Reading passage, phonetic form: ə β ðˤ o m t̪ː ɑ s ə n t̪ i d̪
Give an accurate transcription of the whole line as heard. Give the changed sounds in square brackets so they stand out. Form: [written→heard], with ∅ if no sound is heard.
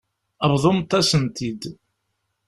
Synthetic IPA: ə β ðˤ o m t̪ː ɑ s ə n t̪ i d̪